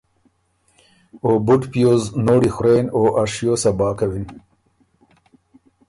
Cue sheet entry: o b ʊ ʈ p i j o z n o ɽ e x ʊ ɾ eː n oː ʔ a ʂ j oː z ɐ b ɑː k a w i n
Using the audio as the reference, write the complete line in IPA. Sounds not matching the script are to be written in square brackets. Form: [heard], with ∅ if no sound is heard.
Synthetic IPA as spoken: o b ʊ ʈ p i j o z n o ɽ [i] x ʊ ɾ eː n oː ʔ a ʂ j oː [s] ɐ b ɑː k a w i n

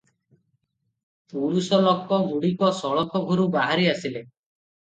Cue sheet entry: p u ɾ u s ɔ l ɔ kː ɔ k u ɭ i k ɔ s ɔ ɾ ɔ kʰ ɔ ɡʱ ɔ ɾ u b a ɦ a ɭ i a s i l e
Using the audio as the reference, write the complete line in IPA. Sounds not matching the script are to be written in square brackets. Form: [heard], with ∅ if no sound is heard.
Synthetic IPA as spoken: p u ɾ u s ɔ l ɔ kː ɔ [ɡ] u [ɽ] i k ɔ s ɔ [ɭ] ɔ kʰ ɔ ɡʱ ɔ ɾ u b a ɦ a [ɾ] i a s i l e

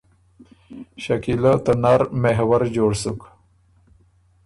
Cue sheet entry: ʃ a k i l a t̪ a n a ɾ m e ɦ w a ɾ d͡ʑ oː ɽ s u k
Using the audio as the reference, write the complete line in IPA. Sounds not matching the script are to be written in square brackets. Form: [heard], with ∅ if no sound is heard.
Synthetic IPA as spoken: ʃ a k i l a t̪ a n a ɾ m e ɦ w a ɾ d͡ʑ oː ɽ s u k

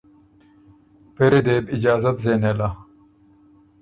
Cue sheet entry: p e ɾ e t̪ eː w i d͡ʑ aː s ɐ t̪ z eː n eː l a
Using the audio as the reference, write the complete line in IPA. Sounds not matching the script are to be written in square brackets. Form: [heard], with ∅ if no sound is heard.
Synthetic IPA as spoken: p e ɾ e [d̪] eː [b] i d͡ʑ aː [z] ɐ t̪ z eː n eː l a

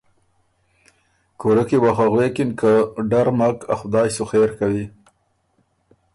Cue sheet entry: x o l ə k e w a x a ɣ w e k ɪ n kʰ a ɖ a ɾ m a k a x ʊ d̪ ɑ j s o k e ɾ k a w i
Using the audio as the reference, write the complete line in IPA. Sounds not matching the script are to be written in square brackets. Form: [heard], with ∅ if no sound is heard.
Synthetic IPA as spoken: [k] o [ɾ] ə k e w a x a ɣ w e k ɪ n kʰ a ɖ a ɾ m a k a x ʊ d̪ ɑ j s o [x] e ɾ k a w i

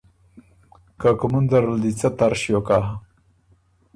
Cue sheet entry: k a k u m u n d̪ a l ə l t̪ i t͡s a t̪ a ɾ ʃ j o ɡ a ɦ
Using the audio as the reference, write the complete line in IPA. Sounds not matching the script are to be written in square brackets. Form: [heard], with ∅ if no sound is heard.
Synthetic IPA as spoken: k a k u m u n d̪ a [ɾ] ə l [d̪] i t͡s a t̪ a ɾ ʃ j o [k] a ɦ

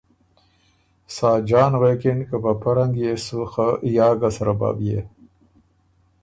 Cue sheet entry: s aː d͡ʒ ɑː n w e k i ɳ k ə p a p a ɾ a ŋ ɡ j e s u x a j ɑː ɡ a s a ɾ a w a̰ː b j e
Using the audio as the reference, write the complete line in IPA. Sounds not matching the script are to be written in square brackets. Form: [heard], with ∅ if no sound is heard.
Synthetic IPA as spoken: s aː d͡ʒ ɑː n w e k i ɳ k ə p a p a ɾ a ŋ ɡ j e s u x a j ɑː ɡ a s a ɾ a [b] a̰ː b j e

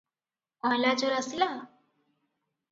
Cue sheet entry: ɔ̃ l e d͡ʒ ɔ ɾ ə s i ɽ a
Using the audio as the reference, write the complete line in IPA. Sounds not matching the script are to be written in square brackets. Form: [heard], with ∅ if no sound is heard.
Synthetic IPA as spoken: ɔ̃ l [a] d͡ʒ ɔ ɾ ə s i [l] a

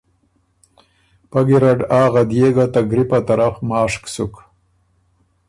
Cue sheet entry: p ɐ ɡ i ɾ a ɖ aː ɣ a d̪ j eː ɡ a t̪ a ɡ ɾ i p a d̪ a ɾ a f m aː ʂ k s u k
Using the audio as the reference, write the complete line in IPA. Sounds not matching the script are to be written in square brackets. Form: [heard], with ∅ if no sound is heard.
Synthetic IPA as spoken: p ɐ ɡ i ɾ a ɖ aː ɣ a d̪ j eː ɡ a t̪ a ɡ ɾ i p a [t̪] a ɾ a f m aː ʂ k s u k

